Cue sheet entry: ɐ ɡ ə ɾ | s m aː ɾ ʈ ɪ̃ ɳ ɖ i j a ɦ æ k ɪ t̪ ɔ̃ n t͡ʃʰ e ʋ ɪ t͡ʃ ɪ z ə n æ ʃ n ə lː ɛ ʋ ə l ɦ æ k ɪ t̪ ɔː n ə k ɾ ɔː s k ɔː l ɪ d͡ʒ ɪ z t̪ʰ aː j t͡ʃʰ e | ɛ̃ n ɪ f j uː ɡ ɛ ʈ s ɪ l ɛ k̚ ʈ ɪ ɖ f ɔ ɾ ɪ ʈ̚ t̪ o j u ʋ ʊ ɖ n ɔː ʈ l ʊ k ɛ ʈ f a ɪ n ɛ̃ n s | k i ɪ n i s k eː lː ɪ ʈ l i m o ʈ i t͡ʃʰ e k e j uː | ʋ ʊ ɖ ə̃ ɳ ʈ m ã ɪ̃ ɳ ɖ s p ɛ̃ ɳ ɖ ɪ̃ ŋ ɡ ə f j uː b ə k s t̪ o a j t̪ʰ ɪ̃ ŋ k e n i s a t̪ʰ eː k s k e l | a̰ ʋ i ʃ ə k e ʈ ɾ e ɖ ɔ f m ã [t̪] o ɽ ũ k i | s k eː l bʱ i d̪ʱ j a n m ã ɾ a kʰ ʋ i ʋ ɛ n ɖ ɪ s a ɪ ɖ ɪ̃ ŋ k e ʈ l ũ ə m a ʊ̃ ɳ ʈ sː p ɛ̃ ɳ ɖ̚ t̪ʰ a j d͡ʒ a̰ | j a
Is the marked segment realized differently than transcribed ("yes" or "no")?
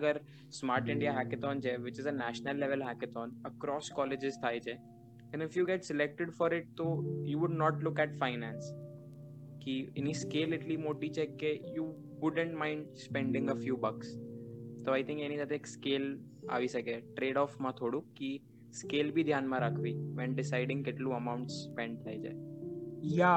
yes